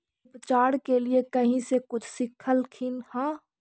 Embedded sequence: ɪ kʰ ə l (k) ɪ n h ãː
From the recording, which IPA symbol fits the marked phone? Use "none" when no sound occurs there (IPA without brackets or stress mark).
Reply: kʰ